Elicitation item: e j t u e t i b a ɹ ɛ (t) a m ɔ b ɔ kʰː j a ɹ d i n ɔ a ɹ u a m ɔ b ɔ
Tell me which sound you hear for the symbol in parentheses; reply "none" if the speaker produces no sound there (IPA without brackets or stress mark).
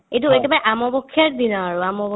ʔ